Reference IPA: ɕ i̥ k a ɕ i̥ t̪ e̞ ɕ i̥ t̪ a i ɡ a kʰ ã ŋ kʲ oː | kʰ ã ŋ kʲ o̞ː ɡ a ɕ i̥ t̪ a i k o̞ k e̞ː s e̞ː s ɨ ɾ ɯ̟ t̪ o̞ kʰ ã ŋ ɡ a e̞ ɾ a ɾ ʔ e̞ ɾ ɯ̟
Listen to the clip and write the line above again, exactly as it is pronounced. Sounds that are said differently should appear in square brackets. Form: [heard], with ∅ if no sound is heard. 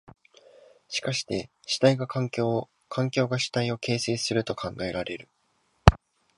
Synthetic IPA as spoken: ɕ i̥ k a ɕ i̥ t̪ e̞ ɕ i̥ t̪ a i ɡ a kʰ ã ŋ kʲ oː | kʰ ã ŋ kʲ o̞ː ɡ a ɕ i̥ t̪ a i [∅] o̞ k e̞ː s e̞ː s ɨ ɾ ɯ̟ t̪ o̞ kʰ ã ŋ ɡ a e̞ ɾ a ɾ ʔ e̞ ɾ ɯ̟